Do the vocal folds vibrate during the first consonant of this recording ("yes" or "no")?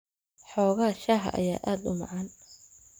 no